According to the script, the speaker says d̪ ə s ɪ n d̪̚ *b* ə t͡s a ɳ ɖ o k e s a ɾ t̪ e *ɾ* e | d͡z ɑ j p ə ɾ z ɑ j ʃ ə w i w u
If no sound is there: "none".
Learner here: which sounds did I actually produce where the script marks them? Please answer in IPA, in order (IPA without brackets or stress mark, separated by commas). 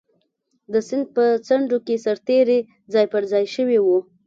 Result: p, ɾ